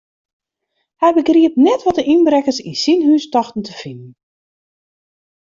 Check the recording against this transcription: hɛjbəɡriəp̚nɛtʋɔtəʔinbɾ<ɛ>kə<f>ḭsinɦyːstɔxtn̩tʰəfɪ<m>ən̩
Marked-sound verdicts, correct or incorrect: correct, incorrect: s, incorrect: n

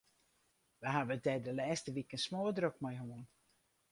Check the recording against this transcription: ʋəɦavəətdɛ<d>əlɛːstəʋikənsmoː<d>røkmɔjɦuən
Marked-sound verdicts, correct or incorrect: correct, correct

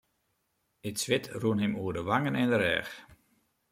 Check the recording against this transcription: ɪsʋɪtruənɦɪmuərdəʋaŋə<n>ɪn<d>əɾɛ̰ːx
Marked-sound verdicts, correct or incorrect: correct, correct

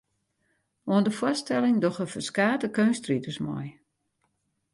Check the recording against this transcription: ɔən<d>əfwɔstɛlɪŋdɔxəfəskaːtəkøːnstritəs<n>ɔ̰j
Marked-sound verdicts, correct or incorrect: correct, incorrect: m

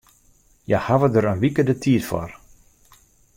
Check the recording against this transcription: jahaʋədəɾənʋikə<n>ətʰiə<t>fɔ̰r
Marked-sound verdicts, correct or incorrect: incorrect: d, correct

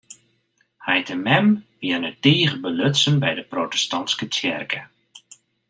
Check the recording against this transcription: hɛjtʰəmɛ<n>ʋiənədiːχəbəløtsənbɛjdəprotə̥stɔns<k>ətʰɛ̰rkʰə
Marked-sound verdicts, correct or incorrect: incorrect: m, correct

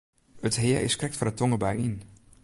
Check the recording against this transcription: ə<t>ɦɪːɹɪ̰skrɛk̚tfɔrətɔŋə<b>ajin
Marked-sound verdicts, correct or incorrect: correct, correct

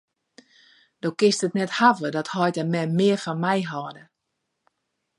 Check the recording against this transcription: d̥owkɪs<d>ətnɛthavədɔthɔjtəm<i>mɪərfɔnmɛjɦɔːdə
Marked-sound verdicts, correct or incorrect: incorrect: t, incorrect: ɛ

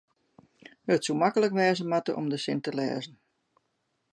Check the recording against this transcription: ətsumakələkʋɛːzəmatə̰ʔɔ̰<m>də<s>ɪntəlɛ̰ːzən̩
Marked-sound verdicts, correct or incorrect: correct, correct

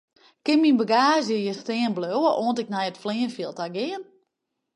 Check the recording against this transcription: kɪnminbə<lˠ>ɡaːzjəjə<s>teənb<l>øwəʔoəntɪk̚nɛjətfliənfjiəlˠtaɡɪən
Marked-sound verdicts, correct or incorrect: incorrect: none, correct, correct

